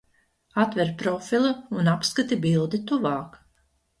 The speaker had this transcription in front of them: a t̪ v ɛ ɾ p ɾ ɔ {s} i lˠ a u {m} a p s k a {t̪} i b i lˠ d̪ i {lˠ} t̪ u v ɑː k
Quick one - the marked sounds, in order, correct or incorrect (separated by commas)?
incorrect, incorrect, correct, incorrect